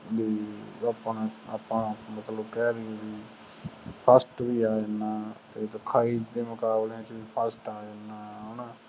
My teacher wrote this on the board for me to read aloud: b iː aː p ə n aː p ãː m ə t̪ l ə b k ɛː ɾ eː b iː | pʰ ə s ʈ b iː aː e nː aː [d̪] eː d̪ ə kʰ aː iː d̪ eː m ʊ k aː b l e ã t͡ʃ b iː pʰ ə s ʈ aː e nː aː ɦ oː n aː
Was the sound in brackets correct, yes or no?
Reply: no